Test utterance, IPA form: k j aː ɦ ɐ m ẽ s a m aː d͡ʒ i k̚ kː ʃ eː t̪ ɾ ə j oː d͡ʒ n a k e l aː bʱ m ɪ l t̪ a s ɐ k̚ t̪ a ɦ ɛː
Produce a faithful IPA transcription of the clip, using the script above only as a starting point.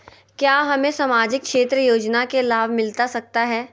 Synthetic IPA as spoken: k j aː ɦ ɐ m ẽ s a m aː d͡ʒ ɪ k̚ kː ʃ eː t̪ ɾ ə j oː d͡ʒ n a k e l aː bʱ m ɪ l t̪ a s ɐ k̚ t̪ a ɦ ɛː